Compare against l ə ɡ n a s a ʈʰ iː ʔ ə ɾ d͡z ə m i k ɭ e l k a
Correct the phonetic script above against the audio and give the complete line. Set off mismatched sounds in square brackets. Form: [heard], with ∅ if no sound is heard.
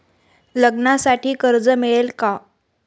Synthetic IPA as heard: l ə ɡ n a s a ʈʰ iː [k] ə ɾ d͡z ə m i [∅] ɭ e l k a